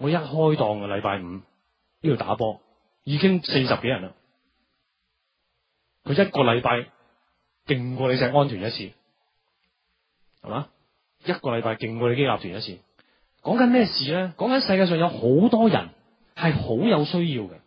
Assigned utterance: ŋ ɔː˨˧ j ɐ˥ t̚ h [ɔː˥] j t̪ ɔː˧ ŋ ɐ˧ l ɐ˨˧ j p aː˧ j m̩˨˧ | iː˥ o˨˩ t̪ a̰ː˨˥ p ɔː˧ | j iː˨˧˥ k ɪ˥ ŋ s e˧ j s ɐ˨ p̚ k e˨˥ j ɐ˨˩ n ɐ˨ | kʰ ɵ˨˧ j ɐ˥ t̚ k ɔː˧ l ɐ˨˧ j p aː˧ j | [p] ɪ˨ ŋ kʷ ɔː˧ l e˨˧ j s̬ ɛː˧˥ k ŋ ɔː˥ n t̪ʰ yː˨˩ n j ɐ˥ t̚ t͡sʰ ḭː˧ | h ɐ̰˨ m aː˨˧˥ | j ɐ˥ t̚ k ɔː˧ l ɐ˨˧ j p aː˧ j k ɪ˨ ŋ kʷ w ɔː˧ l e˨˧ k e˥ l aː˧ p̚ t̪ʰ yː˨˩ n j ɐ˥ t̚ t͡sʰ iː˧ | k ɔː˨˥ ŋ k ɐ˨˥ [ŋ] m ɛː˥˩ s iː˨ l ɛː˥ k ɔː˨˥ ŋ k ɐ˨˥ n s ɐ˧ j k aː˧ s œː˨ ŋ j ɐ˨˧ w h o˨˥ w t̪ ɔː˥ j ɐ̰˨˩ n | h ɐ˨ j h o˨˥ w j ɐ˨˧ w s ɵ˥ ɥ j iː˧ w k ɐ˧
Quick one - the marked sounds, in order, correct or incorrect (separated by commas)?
correct, incorrect, incorrect